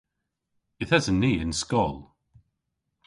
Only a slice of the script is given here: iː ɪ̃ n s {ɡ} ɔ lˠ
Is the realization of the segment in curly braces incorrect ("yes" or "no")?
yes